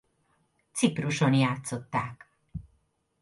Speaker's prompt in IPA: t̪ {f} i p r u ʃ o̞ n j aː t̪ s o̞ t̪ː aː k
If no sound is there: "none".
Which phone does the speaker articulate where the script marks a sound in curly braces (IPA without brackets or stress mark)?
s